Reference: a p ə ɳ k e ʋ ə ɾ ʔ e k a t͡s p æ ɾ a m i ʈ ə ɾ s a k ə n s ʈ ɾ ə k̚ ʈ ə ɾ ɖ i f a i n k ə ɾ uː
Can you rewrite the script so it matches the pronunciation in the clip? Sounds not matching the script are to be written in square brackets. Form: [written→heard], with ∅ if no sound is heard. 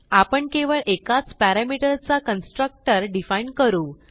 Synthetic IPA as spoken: a p ə ɳ k e ʋ ə [ɾ→ɭ] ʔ e k a t͡s p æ ɾ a m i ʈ ə ɾ [s→t͡s] a k ə n s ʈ ɾ ə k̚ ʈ ə ɾ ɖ i f a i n k ə ɾ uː